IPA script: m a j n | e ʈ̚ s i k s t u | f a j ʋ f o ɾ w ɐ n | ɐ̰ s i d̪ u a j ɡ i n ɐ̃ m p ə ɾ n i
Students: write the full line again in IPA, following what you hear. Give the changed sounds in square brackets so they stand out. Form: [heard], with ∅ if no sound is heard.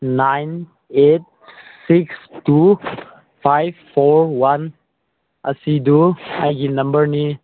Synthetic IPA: [n] a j n | e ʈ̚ s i k s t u | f a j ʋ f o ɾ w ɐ n | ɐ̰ s i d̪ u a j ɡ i n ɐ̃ m [b] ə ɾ n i